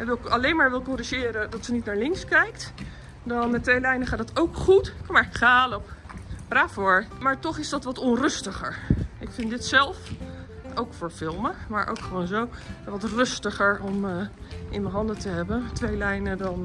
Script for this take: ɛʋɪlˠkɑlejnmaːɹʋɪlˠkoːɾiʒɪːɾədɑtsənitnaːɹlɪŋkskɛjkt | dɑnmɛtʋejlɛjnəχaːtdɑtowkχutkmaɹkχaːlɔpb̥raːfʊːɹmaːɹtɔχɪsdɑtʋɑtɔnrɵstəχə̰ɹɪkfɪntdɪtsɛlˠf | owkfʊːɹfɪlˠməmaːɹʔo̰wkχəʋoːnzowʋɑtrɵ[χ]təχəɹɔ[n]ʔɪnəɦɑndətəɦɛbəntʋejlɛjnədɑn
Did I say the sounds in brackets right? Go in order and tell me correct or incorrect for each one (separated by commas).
incorrect, incorrect